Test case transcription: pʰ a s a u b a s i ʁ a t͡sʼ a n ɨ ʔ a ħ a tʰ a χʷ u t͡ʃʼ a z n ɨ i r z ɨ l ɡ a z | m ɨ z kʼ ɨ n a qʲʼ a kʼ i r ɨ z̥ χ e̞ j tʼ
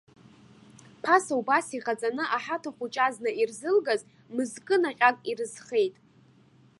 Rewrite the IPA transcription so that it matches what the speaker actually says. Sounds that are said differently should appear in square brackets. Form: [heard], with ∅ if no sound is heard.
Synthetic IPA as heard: pʰ a s a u b a s i ʁ a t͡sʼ a n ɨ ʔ a ħ a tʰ a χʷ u t͡ʃʼ a z n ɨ i r z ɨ l ɡ a z | m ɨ z kʼ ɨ n a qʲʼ a kʼ i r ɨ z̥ χ e̞ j tʼ